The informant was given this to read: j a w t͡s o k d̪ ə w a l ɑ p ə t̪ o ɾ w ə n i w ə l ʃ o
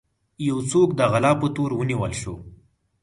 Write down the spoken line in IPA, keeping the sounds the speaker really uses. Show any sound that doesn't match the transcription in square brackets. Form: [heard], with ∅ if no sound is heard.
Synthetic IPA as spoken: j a w t͡s o k d̪ ə [ɣ] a l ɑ p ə t̪ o ɾ w ə n i w ə l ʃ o

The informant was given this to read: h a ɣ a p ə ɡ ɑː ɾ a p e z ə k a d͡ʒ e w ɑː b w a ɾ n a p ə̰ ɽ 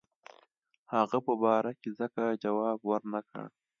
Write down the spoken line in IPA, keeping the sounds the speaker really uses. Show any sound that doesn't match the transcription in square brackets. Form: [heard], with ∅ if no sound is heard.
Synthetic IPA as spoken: h a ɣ a p ə [b] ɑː ɾ a [k] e z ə k a d͡ʒ [a] w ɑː b w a ɾ n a [k] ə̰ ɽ

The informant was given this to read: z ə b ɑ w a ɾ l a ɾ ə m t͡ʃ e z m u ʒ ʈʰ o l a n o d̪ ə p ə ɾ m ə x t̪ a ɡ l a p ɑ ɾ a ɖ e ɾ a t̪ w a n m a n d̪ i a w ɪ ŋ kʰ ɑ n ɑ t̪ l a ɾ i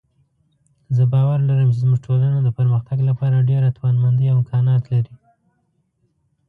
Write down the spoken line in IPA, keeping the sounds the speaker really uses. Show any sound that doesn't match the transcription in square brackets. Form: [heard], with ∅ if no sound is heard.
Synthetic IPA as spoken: z ə b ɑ w a ɾ l a ɾ ə m t͡ʃ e z m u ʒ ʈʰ o l a n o d̪ ə p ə ɾ m ə x t̪ a ɡ l a p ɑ ɾ a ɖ e ɾ a t̪ w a n m a n d̪ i a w ɪ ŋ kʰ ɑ n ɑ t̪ l a ɾ i

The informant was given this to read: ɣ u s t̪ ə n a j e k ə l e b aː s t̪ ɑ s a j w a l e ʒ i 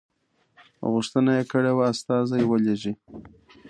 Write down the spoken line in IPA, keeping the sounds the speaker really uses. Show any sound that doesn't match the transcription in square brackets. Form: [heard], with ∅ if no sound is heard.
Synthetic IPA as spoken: ɣ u [ʂ] t̪ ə n a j e k ə [ɽ] e [w] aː s t̪ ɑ [z] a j w [ə] l e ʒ i

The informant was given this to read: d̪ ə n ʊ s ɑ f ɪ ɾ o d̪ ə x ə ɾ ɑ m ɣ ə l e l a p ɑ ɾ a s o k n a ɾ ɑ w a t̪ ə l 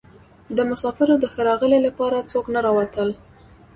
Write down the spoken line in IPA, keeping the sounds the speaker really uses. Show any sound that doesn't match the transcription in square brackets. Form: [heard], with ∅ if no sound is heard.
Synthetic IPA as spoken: d̪ ə [m] ʊ s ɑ f ɪ ɾ o d̪ ə x ə ɾ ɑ [∅] ɣ ə l e l a p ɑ ɾ a [t͡s] o k n a ɾ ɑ w a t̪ ə l

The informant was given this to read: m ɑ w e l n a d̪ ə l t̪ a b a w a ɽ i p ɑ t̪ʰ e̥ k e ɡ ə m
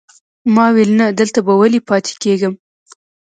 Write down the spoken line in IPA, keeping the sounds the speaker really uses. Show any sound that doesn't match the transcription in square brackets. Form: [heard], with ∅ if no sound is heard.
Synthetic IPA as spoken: m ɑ w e l n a d̪ ə l t̪ a b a w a [l] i p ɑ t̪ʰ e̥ k e ɡ ə m

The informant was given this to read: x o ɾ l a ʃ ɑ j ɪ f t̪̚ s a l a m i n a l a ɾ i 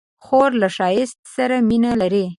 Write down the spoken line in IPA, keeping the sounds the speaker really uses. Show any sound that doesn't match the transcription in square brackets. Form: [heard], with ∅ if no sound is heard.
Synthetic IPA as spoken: x o ɾ l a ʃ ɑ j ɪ [s] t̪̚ s a [ɾ] a m i n a l a ɾ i

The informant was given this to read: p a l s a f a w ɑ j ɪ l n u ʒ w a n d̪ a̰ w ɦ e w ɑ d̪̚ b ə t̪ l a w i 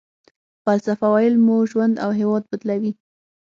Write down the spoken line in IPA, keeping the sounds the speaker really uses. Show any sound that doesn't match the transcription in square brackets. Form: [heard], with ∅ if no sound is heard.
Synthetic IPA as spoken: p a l s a f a w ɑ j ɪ l [m] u ʒ w a n d̪ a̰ w ɦ e w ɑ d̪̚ b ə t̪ l a w i

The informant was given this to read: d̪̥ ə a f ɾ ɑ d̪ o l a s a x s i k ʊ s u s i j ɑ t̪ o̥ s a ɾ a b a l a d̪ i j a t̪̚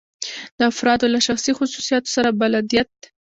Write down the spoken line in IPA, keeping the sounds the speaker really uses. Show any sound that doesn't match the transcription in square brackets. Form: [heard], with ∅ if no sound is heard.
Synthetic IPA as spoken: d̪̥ ə a f ɾ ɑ d̪ o l a [ʃ] a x s i [x] ʊ s u s i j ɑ t̪ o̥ s a ɾ a b a l a d̪ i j a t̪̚

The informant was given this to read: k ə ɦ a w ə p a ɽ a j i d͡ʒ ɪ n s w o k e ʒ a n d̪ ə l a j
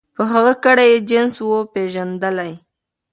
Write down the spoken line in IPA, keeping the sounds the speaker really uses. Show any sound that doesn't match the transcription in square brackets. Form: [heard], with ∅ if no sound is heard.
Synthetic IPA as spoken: [p] ə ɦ a [ɣ] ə [k] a ɽ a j [e] d͡ʒ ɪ n s w o [p] e ʒ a n d̪ ə l a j

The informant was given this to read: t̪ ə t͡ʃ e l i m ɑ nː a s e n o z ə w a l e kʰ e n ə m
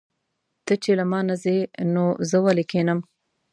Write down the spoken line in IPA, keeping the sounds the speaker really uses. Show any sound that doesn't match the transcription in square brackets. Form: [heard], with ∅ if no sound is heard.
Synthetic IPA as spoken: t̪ ə t͡ʃ e l [a] m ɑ [n] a [z] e n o z ə w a l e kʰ e n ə m

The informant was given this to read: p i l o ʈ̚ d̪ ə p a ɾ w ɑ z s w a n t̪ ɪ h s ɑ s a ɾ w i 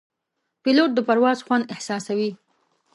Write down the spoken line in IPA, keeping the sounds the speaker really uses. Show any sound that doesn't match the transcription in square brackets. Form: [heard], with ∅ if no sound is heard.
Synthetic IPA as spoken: p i l o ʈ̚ d̪ ə p a ɾ w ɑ z [x] w a n [d̪] ɪ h s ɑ s a [∅] w i

